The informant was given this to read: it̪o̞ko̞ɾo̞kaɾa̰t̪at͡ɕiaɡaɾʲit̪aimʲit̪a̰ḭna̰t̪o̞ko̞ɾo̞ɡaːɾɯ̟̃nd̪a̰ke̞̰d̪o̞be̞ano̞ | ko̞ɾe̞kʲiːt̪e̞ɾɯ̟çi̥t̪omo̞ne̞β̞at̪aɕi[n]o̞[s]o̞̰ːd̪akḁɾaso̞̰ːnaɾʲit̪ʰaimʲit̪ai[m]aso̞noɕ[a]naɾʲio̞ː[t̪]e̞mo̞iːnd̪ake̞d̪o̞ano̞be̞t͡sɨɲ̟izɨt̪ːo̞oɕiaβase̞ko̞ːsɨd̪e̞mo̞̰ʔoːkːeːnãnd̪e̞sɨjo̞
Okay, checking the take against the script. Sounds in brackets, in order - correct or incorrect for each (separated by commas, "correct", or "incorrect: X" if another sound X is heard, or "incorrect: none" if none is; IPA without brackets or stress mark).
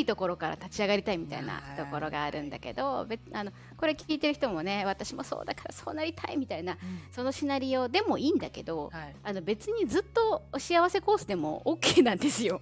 incorrect: m, correct, incorrect: n, incorrect: i, incorrect: d̪